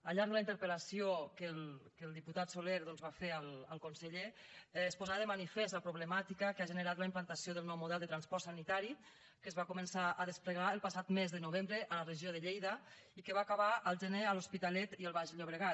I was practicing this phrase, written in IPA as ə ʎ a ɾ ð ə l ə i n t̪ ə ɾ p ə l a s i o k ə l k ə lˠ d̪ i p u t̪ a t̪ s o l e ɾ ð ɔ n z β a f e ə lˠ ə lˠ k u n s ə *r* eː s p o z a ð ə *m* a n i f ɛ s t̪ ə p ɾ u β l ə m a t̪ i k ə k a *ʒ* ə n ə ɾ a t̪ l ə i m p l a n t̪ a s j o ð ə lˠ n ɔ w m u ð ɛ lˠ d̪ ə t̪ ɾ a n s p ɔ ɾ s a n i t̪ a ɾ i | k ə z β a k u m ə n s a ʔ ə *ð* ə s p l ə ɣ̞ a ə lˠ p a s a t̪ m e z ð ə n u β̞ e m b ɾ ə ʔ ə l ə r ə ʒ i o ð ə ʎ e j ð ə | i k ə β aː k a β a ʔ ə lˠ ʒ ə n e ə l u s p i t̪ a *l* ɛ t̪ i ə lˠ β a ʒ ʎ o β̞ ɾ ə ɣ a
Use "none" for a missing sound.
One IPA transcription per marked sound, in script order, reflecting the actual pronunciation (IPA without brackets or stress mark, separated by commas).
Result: ʎ, m, ʒ, ð, l